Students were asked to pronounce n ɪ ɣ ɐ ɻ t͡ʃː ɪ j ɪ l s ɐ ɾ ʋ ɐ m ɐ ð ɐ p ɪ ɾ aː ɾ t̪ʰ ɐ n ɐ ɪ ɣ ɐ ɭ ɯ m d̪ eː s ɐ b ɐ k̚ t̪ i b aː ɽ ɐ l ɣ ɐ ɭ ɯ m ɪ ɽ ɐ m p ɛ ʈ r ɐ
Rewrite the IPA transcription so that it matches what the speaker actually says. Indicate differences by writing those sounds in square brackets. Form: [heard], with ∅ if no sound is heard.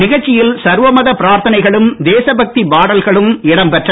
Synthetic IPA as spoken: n ɪ ɣ ɐ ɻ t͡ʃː ɪ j ɪ l s ɐ ɾ ʋ ɐ m ɐ ð ɐ p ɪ ɾ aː ɾ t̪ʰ ɐ n ɐ ɪ ɣ ɐ ɭ ɯ m d̪ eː s ɐ b ɐ k̚ t̪ i b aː ɽ ɐ l ɣ ɐ ɭ ɯ m ɪ ɽ ɐ m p ɛ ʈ r ɐ